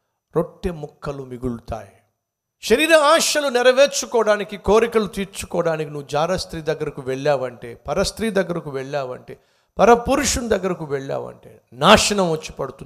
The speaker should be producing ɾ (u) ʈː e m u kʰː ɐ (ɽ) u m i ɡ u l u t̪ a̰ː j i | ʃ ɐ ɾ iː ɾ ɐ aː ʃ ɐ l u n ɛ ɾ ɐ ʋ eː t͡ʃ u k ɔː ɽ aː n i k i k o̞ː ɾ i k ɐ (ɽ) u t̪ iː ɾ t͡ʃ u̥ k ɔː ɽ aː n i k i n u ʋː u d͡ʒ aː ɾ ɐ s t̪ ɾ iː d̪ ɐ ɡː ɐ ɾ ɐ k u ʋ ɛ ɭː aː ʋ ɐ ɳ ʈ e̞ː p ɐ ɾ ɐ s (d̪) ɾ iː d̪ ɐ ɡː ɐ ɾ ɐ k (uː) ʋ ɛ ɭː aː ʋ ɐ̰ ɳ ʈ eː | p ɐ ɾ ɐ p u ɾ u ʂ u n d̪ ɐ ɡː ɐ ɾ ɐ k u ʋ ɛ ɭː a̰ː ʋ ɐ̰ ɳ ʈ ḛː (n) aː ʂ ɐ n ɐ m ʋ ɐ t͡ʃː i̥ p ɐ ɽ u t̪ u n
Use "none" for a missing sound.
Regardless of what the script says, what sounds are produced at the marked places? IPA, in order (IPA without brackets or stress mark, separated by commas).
o, l, l, t̪, u, n